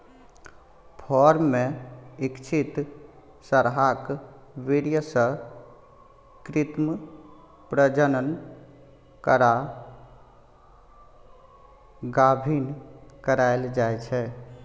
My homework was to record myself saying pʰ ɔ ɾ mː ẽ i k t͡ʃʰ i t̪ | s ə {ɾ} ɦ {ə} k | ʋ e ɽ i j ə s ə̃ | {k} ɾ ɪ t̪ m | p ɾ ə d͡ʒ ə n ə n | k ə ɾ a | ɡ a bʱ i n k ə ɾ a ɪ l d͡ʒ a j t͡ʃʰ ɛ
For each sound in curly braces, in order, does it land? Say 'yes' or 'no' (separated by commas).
yes, no, yes